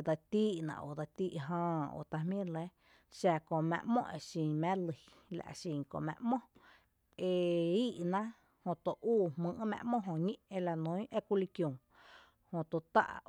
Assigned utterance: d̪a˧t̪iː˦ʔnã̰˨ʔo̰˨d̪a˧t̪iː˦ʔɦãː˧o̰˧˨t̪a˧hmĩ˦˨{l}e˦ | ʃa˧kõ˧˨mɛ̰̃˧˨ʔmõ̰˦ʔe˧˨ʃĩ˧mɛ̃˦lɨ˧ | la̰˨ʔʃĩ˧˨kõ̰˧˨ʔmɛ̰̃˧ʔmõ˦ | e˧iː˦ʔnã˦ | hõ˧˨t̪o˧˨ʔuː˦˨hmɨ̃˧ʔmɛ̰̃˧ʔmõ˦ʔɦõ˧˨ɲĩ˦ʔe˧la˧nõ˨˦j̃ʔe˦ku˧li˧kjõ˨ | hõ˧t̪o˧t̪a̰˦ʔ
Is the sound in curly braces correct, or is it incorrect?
correct